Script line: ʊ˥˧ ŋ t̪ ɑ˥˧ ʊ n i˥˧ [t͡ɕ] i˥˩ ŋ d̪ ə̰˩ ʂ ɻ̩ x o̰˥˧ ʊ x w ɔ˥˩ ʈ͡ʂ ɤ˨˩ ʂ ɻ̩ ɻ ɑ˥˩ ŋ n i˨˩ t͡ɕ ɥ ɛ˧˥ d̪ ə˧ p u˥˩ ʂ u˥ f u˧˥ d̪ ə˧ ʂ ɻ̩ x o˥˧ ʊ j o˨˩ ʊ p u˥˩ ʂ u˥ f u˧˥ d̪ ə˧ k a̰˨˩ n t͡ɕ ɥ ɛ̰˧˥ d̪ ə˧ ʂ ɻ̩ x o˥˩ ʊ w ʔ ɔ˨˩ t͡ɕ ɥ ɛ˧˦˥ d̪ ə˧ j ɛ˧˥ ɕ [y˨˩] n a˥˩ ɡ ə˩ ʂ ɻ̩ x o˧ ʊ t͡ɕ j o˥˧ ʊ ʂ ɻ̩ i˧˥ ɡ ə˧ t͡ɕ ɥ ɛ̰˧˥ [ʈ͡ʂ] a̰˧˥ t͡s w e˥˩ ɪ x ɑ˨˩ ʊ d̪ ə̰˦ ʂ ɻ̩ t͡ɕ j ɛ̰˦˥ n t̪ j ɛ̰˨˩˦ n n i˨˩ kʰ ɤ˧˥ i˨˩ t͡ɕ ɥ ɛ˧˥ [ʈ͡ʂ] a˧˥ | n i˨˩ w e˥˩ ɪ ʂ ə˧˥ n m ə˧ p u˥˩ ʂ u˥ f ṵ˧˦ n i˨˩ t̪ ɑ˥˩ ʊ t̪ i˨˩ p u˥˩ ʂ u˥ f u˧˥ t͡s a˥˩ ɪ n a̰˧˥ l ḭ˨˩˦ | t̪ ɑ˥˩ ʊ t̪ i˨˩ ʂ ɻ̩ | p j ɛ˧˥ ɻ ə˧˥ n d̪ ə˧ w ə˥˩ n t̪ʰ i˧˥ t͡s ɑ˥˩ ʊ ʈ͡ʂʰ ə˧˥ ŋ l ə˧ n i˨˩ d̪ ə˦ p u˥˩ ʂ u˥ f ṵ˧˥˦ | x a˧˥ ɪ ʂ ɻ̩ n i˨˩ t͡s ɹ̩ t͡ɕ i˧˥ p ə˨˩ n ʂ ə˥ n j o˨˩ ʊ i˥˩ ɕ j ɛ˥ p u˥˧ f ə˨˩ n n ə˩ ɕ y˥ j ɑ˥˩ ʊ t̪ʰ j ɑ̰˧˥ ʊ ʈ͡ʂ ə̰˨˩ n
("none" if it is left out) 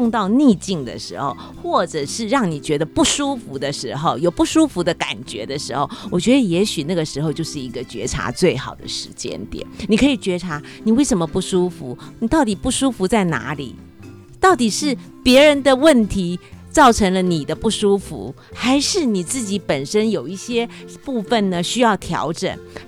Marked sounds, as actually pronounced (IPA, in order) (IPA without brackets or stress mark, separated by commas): t͡ɕ, y˨˩, ʈ͡ʂʰ, ʈ͡ʂʰ